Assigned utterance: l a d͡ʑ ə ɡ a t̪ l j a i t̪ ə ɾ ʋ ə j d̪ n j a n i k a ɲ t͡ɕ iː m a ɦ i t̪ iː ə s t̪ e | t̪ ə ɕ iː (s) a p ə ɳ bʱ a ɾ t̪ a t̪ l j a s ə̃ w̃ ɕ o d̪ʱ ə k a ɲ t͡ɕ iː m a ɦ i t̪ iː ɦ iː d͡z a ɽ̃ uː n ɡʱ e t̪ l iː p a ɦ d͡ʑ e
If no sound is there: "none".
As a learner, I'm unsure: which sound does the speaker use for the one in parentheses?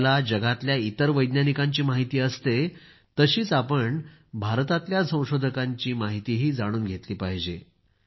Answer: t͡s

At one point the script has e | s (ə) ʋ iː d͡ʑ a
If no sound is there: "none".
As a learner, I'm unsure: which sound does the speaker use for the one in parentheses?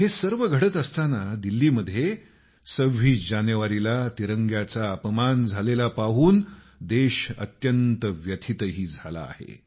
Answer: ə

